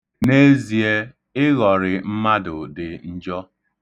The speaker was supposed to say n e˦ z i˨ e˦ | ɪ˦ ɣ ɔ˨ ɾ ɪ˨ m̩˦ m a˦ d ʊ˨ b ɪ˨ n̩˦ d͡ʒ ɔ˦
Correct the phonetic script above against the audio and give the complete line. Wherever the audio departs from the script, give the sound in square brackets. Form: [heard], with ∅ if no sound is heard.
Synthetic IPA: n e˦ z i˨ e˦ | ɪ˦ ɣ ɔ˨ ɾ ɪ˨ m̩˦ m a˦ d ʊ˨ [d] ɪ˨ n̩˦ d͡ʒ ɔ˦